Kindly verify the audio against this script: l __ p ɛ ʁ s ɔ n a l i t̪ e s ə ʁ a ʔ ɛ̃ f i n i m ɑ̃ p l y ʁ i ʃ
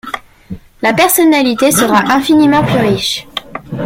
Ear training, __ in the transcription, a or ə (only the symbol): a